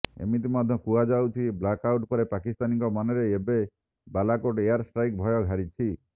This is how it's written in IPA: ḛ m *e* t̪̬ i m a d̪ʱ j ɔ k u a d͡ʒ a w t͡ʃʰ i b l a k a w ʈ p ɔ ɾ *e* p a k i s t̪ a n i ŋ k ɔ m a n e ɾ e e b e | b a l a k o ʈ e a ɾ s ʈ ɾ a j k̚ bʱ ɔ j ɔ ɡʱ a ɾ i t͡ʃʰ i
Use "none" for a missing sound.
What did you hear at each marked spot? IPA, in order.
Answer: i, e

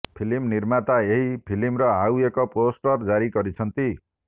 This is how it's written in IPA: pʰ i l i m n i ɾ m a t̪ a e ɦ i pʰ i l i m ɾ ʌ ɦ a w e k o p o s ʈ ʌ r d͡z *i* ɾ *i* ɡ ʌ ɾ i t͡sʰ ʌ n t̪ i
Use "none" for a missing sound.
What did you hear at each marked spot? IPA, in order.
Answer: a, i

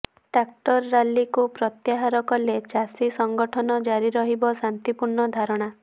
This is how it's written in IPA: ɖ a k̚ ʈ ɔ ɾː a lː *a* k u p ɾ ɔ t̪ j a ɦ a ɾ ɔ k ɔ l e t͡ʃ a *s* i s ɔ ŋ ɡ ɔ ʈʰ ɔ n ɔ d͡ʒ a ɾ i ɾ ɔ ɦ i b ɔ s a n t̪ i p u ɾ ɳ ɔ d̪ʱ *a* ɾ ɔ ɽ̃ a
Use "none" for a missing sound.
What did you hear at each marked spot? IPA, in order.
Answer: i, s, a

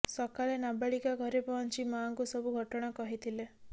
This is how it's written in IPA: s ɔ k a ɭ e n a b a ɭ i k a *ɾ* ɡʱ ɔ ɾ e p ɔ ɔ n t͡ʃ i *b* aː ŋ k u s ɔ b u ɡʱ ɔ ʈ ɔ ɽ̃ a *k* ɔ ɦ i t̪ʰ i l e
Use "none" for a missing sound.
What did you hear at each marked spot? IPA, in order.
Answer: none, m, k

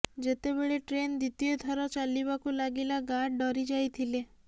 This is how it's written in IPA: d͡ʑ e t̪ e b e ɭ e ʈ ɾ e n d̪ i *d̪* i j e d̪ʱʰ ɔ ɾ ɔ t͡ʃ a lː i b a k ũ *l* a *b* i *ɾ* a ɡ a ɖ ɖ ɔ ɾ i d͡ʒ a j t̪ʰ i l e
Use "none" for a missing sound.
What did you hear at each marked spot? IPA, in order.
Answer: t̪, l, ɡ, l

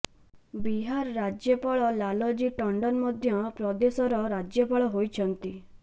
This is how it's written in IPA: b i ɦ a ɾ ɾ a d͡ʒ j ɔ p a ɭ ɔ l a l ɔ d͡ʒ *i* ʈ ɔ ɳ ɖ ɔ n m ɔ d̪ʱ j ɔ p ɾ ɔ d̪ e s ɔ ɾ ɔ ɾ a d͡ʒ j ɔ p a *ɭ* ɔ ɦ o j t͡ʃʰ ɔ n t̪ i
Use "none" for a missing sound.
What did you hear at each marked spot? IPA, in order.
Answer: i, ɭ

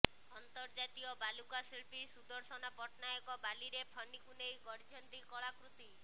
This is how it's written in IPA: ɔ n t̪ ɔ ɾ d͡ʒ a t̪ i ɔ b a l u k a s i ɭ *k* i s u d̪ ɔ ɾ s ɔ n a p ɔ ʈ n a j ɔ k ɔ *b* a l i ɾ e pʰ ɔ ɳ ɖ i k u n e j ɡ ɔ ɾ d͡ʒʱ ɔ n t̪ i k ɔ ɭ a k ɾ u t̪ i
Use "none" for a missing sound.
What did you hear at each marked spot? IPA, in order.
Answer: p, b

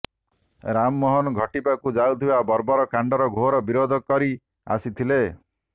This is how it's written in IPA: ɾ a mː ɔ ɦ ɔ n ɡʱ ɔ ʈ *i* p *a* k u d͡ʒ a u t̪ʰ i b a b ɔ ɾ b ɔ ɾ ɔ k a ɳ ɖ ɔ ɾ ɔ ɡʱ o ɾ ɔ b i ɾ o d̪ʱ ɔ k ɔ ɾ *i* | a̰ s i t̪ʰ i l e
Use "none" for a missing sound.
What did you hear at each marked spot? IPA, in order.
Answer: i, a, i

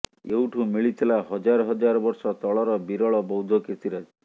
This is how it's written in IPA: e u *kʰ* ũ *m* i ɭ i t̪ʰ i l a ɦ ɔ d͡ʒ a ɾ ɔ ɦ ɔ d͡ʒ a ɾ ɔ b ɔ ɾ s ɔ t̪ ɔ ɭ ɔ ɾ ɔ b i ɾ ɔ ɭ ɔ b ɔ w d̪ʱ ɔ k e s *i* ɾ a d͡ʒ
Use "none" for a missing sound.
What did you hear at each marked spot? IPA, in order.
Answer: ʈʰ, m, i

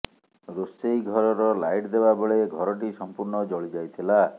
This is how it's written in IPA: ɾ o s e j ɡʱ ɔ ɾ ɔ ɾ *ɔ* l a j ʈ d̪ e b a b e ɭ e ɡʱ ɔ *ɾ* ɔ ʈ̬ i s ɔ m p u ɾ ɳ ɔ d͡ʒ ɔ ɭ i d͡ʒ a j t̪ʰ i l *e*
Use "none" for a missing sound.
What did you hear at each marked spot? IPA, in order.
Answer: ɔ, ɾ, a

